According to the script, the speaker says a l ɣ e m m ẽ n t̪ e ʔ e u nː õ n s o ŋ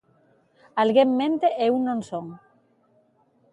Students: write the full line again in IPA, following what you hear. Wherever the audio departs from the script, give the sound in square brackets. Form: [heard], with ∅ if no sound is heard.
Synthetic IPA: a l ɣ e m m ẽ n t̪ e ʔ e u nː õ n s o ŋ